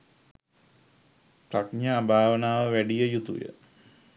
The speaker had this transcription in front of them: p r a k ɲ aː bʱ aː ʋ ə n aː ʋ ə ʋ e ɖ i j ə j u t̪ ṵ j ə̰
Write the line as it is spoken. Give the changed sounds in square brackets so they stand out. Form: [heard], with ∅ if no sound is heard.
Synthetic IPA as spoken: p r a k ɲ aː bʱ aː ʋ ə n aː ʋ ə ʋ [æ] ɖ i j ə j u t̪ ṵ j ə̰

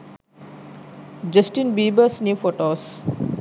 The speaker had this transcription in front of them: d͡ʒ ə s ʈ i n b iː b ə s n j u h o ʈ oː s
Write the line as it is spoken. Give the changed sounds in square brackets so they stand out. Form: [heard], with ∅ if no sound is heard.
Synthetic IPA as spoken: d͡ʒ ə s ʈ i n b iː b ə s n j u [f] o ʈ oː s

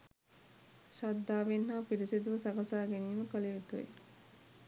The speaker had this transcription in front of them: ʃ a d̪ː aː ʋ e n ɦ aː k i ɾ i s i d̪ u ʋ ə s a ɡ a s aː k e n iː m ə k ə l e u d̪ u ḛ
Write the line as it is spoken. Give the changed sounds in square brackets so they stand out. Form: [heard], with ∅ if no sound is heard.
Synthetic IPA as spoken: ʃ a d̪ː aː ʋ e n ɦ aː [p] i ɾ i s i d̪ u ʋ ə s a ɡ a s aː [ɡ] e n iː m ə k ə l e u [t̪] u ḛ

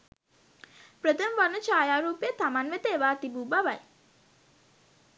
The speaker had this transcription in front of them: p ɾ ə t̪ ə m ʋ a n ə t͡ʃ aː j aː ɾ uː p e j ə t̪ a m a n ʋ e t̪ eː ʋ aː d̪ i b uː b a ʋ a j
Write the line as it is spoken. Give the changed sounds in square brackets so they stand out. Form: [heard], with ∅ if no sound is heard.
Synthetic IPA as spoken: p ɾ ə t̪ ə m ʋ a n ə t͡ʃ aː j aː ɾ uː p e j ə t̪ a m a n ʋ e t̪ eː ʋ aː [t̪] i b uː b a ʋ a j

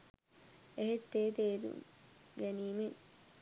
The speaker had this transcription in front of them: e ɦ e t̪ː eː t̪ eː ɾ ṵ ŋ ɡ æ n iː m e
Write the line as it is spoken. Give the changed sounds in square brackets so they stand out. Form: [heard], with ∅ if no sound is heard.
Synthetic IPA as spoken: e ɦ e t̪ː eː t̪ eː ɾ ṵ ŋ ɡ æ n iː m e

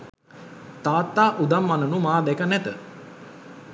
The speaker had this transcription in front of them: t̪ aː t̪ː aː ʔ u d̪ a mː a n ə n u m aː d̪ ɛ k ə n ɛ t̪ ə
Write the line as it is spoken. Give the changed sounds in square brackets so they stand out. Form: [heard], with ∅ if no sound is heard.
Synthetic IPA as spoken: t̪ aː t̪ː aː ʔ u d̪ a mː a n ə n u m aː d̪ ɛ k ə n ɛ t̪ ə

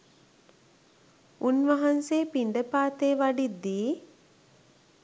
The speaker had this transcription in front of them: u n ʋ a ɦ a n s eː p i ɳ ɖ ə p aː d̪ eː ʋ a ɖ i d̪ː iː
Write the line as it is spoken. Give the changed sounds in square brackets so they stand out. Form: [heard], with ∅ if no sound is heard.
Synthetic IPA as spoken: u n ʋ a ɦ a n s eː p i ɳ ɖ ə p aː [t̪] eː ʋ a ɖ i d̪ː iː

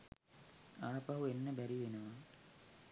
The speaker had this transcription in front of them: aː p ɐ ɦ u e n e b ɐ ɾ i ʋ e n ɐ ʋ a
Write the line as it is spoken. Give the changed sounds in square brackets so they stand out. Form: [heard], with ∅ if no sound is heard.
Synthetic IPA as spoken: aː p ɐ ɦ u e [nː] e b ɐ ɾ i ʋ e n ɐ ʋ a

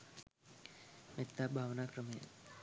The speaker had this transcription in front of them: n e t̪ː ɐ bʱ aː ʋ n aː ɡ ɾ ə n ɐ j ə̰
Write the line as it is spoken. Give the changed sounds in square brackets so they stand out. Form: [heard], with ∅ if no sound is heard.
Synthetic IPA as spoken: [m] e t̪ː [a] bʱ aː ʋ n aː [k] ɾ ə [m] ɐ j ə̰

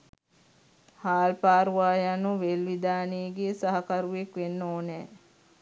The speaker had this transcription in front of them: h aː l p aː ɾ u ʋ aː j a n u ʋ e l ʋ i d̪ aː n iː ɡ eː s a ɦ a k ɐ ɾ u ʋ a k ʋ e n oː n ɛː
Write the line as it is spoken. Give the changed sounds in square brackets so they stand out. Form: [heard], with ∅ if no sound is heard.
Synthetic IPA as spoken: h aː l p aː ɾ u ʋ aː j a n u ʋ e l ʋ i d̪ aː n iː ɡ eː s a ɦ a k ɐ ɾ u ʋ [e] k ʋ e [nː] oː n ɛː

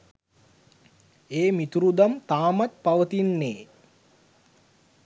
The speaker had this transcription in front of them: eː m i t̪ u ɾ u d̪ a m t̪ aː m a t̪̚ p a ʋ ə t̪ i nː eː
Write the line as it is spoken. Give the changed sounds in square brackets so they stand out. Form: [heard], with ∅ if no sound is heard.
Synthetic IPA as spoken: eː m i t̪ u ɾ u d̪ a m t̪ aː m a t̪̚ p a ʋ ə t̪ i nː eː

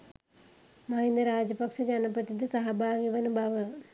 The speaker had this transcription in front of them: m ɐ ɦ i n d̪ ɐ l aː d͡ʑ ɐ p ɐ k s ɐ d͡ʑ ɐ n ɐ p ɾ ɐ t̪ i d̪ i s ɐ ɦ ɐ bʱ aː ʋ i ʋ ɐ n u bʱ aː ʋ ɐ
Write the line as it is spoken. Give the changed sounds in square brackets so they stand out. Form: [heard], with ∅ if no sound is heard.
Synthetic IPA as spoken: m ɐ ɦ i n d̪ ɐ [ɾ] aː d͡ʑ ɐ p ɐ k [ʂ] ɐ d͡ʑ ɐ n ɐ p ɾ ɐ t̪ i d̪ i s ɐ ɦ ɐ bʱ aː ʋ i ʋ ɐ n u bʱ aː ʋ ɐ

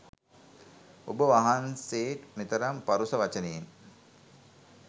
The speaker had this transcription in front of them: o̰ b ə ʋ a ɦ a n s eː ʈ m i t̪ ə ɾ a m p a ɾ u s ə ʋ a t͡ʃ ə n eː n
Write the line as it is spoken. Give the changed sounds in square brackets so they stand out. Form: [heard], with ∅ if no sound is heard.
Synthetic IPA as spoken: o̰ b ə ʋ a ɦ a n s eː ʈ m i t̪ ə ɾ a m p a ɾ u s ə ʋ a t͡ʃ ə n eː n

